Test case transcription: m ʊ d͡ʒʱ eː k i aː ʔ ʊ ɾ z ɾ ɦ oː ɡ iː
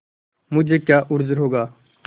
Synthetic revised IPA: m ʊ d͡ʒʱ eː k j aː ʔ ʊ ɾ z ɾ ɦ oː ɡ aː